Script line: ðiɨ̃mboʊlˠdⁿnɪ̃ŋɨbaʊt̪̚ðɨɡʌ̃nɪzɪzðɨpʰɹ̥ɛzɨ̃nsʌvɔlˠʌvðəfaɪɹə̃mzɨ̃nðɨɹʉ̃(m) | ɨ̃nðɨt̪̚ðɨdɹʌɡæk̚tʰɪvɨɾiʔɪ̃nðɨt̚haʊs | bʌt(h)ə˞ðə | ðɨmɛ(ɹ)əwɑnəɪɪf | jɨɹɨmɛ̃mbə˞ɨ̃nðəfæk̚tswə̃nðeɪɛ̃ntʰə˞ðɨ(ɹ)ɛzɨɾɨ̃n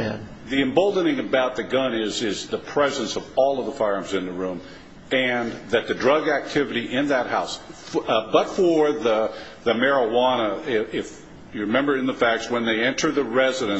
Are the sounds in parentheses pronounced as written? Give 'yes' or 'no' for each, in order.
yes, no, yes, yes

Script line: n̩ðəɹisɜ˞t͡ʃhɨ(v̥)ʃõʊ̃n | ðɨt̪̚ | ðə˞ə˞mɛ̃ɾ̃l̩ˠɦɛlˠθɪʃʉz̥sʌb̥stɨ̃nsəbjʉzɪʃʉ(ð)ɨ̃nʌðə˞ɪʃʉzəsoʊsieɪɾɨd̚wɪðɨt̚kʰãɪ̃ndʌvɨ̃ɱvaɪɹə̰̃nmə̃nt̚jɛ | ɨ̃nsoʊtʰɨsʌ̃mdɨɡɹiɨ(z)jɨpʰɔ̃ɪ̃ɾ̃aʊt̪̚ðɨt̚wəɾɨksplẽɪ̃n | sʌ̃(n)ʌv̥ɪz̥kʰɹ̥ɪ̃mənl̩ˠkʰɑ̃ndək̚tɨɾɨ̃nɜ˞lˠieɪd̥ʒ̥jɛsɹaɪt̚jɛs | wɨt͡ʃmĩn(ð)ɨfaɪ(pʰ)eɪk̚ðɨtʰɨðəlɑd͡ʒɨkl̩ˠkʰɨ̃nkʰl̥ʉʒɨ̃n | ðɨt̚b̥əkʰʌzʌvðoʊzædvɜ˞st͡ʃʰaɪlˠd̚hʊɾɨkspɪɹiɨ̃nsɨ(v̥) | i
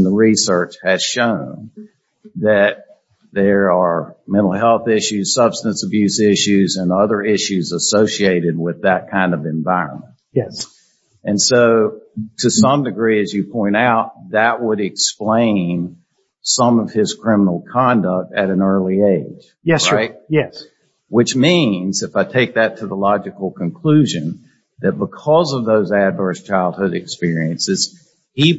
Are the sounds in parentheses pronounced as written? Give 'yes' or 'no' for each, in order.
no, no, yes, no, no, no, no

